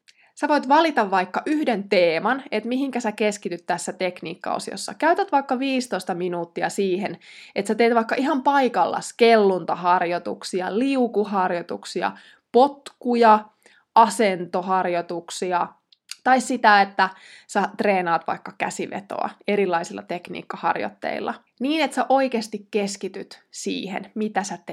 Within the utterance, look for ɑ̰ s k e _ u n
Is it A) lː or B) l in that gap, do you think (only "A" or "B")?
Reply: A